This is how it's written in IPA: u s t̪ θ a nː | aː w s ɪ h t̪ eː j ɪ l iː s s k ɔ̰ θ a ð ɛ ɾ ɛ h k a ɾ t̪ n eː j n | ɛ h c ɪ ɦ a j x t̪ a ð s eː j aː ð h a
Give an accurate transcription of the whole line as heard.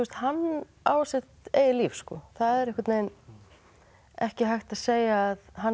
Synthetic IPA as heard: u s t̪ h a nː | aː w s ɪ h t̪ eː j ɪ l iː f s k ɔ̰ θ a ð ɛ ɾ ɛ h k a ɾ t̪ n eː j n | ɛ h c ɪ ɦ a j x t̪ a ð s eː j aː ð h a